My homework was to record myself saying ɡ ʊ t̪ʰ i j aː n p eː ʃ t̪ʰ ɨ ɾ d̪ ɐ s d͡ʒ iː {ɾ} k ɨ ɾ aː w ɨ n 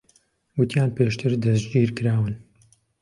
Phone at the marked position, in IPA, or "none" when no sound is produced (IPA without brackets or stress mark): ɾ